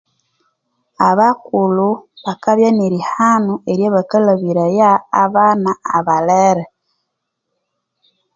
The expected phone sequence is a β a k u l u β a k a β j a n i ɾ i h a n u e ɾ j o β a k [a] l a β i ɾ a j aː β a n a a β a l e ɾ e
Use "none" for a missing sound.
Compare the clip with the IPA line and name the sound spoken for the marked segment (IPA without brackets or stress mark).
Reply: a